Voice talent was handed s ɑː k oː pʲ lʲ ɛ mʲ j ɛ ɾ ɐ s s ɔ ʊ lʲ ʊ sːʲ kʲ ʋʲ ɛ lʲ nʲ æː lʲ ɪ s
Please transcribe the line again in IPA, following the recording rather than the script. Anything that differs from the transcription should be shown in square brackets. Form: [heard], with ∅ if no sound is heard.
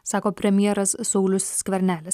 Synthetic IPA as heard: s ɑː k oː pʲ [ɾʲ] ɛ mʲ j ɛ ɾ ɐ s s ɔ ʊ lʲ ʊ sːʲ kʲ ʋʲ ɛ [ɾʲ] nʲ æː lʲ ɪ s